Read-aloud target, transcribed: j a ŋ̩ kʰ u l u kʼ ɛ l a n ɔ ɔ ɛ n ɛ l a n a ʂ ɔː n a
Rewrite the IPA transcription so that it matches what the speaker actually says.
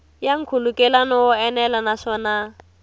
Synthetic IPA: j a ŋ̩ kʰ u l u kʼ ɛ l a n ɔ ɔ ɛ n ɛ l a n a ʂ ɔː n a